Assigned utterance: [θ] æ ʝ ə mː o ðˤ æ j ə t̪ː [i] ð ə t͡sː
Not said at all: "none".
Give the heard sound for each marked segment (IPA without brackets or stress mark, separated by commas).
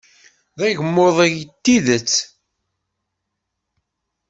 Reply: ð, i